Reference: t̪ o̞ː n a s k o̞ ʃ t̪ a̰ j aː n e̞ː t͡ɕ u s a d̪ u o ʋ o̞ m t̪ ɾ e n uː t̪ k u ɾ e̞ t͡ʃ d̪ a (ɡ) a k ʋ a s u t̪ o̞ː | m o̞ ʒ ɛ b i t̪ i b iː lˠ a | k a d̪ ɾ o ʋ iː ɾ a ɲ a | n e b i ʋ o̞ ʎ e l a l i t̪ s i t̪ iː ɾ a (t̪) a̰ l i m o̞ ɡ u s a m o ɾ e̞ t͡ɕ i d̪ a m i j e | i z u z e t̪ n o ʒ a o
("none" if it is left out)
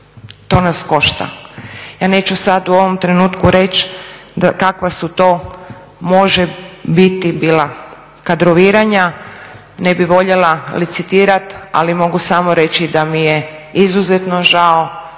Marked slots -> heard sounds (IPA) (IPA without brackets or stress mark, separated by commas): k, t̪